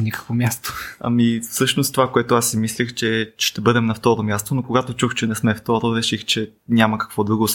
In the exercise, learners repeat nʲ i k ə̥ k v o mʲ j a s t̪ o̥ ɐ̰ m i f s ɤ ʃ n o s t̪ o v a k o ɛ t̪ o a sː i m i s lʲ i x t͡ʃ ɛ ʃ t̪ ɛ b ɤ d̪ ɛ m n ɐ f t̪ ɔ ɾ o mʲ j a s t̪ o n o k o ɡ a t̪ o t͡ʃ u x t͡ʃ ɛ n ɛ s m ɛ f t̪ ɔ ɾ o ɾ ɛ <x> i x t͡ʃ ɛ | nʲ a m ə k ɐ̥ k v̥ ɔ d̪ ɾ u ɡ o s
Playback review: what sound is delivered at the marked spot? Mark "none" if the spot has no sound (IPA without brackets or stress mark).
ʃ